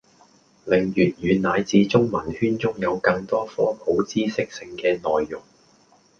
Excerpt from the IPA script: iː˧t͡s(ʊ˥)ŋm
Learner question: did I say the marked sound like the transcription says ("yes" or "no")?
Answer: yes